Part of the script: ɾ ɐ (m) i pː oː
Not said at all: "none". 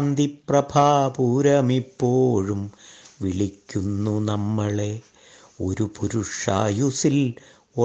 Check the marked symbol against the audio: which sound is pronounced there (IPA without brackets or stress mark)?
m